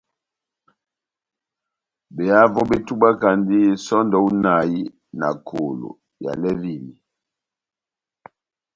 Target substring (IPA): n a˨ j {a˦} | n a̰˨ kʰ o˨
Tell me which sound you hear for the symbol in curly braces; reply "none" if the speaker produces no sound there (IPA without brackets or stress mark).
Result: i˦